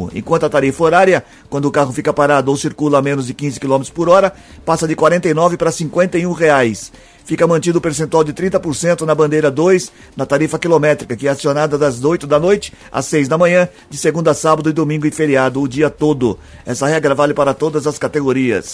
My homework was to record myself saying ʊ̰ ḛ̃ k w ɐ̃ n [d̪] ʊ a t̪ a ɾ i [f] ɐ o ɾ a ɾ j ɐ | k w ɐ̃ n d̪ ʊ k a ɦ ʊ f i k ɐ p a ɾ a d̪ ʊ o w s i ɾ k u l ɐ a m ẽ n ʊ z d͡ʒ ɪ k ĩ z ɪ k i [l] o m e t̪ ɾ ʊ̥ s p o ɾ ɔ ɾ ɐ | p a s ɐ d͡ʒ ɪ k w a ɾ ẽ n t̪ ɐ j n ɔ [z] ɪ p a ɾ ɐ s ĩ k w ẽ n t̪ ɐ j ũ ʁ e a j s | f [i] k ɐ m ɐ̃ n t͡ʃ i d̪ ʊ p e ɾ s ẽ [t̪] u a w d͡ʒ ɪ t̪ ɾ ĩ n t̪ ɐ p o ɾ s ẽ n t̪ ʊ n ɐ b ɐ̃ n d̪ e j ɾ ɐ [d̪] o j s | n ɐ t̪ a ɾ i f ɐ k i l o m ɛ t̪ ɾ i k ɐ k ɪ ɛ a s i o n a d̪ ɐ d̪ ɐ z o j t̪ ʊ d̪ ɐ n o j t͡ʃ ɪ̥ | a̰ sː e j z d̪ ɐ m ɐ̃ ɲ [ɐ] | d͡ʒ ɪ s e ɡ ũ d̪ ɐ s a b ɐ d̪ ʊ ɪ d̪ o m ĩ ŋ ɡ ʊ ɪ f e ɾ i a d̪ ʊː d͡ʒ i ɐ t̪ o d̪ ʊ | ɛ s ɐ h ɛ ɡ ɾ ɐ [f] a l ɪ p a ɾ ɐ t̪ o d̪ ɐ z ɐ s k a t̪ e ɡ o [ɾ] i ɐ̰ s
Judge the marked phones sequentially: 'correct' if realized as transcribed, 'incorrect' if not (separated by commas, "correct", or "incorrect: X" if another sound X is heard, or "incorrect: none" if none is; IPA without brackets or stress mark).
incorrect: t̪, correct, correct, incorrect: v, correct, correct, correct, incorrect: ɐ̃, incorrect: v, correct